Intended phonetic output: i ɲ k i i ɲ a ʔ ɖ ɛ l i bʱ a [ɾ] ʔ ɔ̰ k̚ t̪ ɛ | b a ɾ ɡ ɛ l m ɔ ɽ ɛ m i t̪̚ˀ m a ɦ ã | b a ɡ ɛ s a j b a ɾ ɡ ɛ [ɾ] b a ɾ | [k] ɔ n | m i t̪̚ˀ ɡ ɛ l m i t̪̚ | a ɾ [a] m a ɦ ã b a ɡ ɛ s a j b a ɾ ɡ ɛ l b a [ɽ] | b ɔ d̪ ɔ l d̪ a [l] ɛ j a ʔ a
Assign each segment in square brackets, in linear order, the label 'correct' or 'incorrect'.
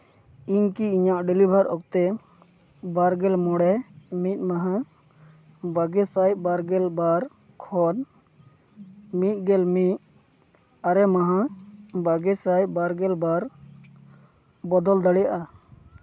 correct, incorrect: l, incorrect: kʰ, incorrect: ɛ, incorrect: ɾ, incorrect: ɽ

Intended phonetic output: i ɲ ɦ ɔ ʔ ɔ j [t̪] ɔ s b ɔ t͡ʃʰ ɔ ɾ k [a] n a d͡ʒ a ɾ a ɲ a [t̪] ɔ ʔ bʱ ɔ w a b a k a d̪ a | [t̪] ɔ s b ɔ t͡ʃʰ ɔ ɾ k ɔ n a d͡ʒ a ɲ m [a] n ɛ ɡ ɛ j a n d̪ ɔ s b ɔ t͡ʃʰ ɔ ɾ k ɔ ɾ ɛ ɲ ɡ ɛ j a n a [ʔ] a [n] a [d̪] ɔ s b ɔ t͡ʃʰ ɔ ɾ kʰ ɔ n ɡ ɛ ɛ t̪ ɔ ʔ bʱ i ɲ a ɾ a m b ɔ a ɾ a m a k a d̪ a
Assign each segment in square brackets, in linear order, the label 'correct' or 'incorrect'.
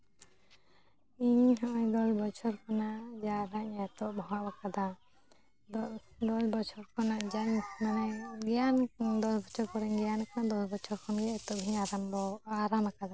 incorrect: d̪, correct, correct, incorrect: d̪, correct, incorrect: k, correct, correct

